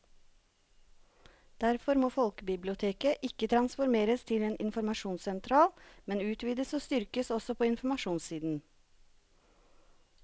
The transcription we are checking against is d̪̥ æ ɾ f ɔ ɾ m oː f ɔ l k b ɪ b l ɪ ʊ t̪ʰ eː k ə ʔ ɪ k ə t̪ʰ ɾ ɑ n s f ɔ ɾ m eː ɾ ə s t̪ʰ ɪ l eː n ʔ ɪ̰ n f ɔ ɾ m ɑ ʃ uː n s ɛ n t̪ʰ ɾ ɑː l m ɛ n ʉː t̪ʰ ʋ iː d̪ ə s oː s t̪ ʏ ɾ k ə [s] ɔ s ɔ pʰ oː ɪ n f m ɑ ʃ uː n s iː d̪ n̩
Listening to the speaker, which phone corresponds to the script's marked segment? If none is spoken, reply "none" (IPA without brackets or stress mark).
s